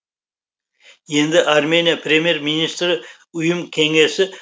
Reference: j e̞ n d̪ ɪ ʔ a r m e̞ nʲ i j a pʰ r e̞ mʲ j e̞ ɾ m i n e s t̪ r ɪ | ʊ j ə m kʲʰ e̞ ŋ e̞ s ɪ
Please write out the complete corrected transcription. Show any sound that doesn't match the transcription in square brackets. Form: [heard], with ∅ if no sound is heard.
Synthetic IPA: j e̞ n d̪ ɪ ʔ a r m e̞ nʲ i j a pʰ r e̞ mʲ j e̞ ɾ m i n [i] s t̪ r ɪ | ʊ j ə m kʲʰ e̞ ŋ e̞ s ɪ